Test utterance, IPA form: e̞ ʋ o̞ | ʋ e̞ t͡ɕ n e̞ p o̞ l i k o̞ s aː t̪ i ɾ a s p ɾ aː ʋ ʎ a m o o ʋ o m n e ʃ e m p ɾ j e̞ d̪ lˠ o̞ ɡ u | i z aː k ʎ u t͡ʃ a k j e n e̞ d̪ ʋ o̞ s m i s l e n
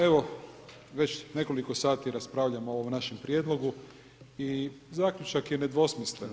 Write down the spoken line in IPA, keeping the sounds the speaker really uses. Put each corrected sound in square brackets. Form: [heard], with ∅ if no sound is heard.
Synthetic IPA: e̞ ʋ o̞ | ʋ e̞ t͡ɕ n e̞ [k] o̞ l i k o̞ s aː t̪ i ɾ a s p ɾ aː ʋ ʎ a m o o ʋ o m n [a] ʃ e m p ɾ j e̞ d̪ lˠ o̞ ɡ u | i z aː k ʎ u t͡ʃ a k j e n e̞ d̪ ʋ o̞ s m i s l e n